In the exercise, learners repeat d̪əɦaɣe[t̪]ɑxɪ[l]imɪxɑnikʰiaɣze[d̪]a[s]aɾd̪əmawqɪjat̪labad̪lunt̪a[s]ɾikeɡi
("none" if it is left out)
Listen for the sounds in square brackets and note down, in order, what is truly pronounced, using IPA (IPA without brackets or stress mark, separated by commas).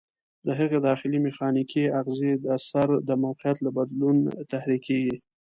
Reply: d̪, l, d̪, s, h